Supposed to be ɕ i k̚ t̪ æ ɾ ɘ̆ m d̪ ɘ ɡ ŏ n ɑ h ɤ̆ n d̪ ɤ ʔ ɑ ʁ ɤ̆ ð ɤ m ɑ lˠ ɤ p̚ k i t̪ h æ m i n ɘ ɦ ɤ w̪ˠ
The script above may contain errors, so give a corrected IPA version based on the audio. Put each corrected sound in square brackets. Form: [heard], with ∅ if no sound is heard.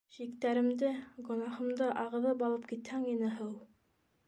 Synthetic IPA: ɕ i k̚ t̪ æ ɾ ɘ̆ m d̪ ɘ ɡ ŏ n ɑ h ɤ̆ [m] d̪ ɤ ʔ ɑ ʁ ɤ̆ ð ɤ [b] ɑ lˠ ɤ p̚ k i t̪ h æ [ŋ] i n ɘ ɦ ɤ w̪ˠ